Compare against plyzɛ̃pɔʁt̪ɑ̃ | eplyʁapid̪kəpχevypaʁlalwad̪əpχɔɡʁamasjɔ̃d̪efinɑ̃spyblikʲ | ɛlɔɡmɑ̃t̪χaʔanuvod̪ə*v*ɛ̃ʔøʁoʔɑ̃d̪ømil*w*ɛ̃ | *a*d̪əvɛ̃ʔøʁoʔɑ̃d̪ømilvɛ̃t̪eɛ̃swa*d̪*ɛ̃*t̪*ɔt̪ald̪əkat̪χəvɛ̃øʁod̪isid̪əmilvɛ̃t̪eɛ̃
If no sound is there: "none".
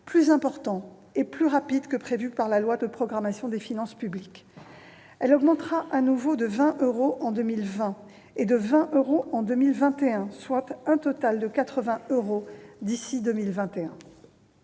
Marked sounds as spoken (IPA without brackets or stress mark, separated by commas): v, v, e, t̪, t̪